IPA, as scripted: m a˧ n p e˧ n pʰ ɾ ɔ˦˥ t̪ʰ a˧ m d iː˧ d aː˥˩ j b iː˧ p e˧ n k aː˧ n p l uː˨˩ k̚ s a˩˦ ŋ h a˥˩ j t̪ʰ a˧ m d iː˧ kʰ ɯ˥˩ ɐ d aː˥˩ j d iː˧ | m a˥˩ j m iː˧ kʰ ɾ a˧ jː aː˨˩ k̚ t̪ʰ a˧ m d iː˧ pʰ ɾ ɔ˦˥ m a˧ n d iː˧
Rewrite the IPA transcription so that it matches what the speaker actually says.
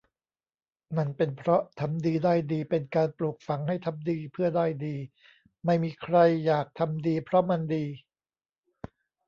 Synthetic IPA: m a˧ n p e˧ n pʰ ɾ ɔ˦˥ t̪ʰ a˧ m d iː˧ d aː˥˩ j d iː˧ p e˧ n k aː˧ n p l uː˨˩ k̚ f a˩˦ ŋ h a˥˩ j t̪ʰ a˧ m d iː˧ pʰ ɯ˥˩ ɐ d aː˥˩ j d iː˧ | m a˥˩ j m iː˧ kʰ ɾ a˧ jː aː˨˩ k̚ t̪ʰ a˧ m d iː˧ pʰ ɾ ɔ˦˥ m a˧ n d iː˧